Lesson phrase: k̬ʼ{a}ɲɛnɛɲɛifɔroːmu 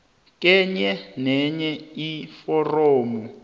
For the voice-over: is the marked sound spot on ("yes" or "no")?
no